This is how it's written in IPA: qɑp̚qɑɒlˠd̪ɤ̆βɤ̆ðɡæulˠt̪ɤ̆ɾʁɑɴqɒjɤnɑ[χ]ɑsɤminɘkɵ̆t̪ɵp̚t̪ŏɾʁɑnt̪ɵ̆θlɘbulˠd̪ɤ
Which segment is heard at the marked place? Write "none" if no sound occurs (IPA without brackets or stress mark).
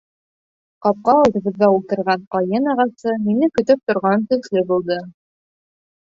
ʁ